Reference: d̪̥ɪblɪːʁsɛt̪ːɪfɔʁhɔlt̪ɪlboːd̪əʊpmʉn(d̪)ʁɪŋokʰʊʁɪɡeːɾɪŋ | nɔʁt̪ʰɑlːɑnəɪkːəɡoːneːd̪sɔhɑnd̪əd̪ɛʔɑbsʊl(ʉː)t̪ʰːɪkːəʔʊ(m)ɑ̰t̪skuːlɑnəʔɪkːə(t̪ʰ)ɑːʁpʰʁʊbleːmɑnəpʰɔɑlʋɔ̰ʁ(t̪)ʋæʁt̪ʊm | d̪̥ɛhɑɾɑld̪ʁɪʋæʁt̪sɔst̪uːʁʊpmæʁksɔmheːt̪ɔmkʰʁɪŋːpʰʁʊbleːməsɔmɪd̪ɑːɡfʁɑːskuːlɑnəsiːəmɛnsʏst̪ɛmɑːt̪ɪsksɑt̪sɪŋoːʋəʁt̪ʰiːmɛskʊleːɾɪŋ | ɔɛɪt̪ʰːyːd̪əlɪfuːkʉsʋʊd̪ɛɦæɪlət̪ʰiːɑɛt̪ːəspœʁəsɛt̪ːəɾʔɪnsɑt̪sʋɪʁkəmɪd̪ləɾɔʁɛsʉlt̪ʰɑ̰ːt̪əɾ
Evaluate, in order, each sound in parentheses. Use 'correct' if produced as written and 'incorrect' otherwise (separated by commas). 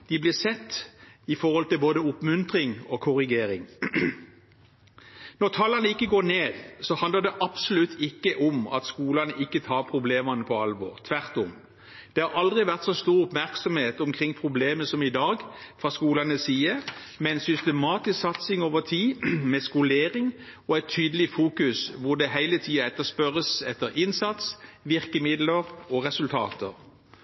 incorrect, incorrect, correct, correct, incorrect